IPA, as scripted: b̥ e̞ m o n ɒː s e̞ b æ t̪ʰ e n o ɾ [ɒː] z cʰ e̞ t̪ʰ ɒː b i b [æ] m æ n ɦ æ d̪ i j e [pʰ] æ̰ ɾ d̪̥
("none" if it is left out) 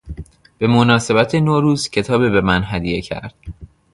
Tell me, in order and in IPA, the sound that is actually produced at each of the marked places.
uː, e, cʰ

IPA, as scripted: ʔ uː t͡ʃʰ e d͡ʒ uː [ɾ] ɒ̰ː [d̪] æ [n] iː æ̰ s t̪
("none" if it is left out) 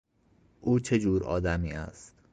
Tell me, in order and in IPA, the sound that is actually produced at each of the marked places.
ɾ, d̪, m

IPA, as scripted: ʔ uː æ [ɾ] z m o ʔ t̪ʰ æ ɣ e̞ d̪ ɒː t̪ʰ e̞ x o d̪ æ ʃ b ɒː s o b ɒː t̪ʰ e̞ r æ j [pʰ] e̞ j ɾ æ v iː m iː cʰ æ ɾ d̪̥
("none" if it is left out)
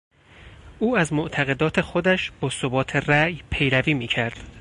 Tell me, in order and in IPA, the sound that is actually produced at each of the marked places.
none, pʰ

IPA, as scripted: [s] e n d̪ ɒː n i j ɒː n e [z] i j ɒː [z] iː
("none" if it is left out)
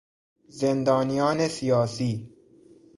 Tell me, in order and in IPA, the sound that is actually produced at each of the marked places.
z, s, s

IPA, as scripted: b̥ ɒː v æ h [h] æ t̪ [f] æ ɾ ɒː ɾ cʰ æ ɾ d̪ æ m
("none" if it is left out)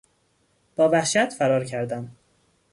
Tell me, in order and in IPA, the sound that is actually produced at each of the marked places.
ʃ, f

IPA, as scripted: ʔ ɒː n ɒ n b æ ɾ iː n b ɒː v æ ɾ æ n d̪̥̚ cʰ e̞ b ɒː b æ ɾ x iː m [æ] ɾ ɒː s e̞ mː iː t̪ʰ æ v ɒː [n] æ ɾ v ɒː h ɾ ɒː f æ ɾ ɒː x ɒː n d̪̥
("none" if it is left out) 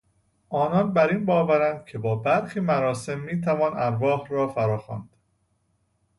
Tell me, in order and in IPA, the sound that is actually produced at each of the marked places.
æ, n

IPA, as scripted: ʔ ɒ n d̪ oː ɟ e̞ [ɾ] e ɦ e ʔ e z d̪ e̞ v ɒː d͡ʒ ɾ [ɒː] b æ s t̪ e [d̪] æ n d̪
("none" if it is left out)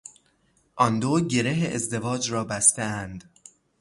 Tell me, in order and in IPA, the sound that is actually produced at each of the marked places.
ɾ, ɒː, none

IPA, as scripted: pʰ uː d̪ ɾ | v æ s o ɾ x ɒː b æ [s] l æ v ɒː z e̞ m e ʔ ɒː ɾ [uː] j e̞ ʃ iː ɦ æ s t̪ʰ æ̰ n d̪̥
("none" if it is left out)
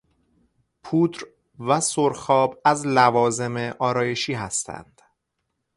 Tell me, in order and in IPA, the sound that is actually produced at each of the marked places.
z, ɒː

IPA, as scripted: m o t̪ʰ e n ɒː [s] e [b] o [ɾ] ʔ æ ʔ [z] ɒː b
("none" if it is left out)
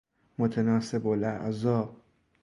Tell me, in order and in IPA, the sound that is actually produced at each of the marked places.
s, b, l, z

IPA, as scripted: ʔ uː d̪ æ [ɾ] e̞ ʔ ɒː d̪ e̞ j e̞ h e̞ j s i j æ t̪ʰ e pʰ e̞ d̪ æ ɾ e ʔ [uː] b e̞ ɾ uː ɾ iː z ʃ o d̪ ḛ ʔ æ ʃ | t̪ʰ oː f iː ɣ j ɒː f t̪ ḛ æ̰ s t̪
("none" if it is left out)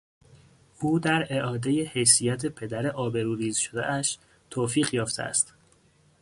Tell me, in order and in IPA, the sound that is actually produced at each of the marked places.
ɾ, ɒː

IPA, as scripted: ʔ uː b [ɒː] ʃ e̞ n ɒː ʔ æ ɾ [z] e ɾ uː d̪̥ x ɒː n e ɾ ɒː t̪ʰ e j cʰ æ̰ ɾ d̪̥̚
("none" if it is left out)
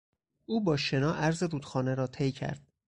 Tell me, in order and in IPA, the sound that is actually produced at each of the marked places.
ɒː, z

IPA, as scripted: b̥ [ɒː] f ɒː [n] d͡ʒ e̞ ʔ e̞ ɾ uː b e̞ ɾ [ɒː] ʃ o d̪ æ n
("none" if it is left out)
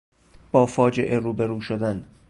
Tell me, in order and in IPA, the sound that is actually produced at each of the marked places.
ɒː, none, uː

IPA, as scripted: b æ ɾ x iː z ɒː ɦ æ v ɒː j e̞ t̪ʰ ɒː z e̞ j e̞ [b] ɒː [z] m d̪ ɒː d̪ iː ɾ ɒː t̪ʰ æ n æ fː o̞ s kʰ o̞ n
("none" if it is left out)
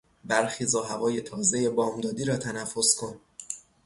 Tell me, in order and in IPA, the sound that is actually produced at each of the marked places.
b, none

